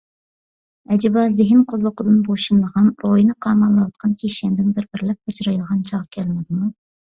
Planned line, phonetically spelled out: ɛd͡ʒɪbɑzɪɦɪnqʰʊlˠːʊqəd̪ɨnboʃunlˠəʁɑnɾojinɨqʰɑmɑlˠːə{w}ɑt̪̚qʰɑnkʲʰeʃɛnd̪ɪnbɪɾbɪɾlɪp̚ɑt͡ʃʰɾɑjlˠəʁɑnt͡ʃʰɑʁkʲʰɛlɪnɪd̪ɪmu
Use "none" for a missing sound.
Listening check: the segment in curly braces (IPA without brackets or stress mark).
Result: w